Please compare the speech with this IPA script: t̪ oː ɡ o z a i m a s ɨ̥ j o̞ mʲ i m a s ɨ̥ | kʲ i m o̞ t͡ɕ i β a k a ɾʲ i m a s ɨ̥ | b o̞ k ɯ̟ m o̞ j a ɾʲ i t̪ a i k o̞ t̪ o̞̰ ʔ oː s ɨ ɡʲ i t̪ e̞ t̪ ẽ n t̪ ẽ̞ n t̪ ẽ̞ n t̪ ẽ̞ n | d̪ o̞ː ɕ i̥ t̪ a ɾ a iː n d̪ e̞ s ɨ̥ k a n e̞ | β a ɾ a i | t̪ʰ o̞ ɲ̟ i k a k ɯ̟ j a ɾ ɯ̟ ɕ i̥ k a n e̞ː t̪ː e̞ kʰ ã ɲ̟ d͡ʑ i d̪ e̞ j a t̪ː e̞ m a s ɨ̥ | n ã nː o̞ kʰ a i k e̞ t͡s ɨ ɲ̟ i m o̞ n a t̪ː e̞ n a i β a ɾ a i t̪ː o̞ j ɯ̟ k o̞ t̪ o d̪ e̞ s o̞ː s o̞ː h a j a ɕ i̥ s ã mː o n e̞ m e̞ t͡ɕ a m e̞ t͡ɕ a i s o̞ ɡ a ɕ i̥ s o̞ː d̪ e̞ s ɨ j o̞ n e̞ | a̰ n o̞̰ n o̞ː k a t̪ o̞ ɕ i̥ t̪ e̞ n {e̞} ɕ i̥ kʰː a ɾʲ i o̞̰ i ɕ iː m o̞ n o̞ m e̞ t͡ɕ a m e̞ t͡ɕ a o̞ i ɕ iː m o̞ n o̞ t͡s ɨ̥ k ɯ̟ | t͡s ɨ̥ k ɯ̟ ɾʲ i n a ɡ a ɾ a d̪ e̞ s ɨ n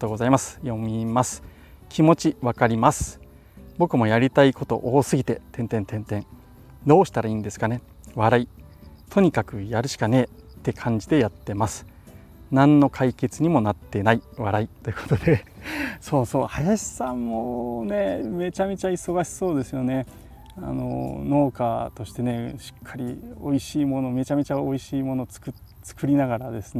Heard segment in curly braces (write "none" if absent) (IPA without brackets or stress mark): e̞